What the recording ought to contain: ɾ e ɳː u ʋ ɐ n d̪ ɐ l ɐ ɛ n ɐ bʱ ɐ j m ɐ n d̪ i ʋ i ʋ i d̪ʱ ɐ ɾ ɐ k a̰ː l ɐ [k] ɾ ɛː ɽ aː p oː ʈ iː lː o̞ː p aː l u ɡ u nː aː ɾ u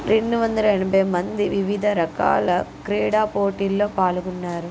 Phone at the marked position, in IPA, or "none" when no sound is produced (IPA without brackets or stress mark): k